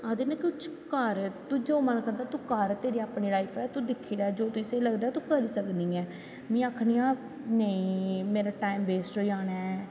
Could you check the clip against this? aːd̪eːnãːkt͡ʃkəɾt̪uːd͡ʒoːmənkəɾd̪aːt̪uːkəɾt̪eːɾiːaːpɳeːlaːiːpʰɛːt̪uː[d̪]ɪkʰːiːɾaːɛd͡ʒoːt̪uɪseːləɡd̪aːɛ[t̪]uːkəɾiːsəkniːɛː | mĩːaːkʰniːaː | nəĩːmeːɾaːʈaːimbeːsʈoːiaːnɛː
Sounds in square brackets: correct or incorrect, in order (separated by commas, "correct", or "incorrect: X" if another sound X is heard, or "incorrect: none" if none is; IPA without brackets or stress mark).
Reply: correct, correct